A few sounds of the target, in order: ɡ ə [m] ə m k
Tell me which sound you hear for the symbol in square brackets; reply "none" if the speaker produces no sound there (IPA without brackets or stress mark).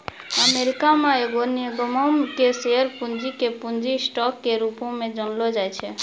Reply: m